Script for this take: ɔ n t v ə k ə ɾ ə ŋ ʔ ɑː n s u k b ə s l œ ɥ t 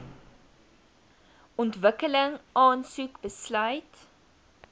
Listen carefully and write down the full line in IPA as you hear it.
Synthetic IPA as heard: ɔ n t v ə k ə l ə ŋ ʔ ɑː n s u k b ə s l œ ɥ t